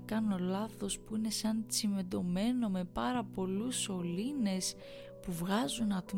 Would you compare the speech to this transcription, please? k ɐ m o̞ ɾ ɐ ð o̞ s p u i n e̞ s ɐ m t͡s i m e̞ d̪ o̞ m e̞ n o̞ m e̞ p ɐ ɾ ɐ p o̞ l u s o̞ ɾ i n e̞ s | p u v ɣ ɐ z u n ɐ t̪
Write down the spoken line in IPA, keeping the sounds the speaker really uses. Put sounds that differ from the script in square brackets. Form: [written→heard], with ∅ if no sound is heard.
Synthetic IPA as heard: k ɐ [m→n] o̞ [ɾ→l] ɐ [ð→θ] o̞ s p u i n e̞ s ɐ [m→n] t͡s i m e̞ d̪ o̞ m e̞ n o̞ m e̞ p ɐ ɾ ɐ p o̞ l u s o̞ [ɾ→l] i n e̞ s | p u v ɣ ɐ z u n ɐ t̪